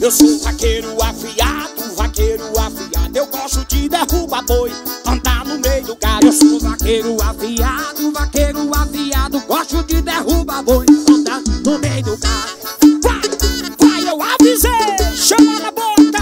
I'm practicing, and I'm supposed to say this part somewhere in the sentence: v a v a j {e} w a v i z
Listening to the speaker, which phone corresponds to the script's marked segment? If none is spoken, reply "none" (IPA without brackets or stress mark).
e